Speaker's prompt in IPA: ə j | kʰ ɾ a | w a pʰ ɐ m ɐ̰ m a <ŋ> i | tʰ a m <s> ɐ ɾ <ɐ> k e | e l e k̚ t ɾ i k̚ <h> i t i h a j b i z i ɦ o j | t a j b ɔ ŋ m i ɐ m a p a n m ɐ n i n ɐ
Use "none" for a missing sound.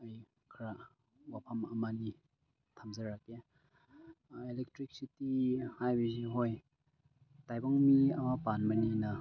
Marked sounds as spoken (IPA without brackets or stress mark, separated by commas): n, z, a, s